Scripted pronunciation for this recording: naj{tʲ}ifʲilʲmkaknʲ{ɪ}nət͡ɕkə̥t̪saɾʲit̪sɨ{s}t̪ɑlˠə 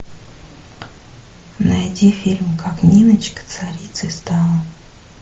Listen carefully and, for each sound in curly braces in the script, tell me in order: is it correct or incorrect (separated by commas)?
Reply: incorrect, incorrect, correct